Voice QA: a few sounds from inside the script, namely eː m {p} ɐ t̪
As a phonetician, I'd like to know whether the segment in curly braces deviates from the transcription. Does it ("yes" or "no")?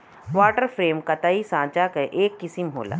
yes